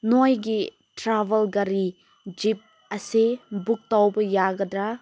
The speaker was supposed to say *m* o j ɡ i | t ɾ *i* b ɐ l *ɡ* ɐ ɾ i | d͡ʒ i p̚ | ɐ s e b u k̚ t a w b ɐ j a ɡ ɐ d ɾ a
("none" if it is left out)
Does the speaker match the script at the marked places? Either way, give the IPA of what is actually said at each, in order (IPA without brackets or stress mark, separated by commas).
n, a, ɡ